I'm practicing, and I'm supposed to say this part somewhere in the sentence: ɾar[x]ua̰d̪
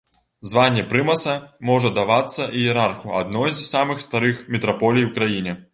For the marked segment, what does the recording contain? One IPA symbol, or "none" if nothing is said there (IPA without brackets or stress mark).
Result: x